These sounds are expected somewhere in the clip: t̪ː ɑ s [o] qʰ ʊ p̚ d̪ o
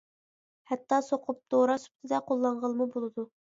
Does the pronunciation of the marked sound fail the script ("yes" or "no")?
no